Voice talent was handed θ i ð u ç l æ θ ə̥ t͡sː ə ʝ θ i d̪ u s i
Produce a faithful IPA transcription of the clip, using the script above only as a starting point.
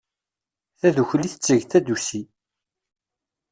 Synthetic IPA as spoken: θ æ ð u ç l i θ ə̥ t͡sː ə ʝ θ æ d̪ u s i